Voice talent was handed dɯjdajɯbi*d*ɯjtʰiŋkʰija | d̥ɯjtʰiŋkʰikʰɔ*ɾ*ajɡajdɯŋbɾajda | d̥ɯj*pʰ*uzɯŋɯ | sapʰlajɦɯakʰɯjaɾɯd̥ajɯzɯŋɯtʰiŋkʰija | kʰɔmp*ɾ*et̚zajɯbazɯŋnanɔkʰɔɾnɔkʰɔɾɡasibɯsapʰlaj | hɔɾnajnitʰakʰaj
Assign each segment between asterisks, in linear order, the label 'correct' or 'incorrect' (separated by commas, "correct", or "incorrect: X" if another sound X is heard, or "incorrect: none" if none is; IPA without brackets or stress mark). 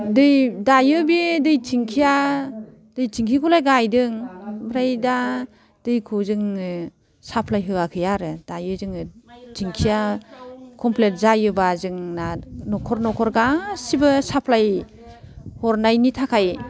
correct, incorrect: l, incorrect: kʰ, incorrect: l